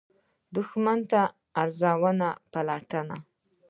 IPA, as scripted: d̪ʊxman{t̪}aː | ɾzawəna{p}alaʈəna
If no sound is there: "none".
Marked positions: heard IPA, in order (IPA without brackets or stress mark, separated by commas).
t̪, p